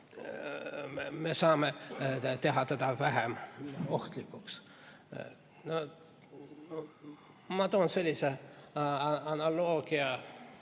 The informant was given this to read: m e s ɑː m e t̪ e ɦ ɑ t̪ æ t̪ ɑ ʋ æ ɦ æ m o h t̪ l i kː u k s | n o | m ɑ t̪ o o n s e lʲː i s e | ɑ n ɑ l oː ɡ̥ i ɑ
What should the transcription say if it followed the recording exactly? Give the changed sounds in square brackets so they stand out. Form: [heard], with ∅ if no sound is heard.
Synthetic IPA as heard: m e s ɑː m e t̪ e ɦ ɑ t̪ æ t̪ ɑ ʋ æ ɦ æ m o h t̪ l i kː u k s | n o | m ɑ t̪ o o n s e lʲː i s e | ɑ n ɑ l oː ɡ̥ i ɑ